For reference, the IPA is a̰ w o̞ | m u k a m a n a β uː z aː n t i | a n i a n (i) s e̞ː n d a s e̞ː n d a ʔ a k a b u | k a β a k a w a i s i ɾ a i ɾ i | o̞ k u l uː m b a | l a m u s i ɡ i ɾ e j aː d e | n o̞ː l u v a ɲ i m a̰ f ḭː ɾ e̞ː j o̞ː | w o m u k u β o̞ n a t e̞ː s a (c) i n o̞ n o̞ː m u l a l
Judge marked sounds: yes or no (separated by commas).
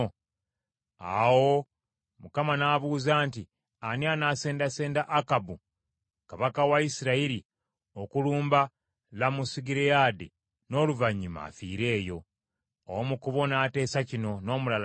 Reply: no, yes